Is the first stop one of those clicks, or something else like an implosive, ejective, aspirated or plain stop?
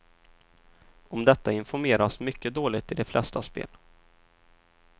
plain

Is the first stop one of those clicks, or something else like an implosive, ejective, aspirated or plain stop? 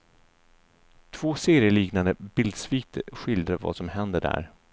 aspirated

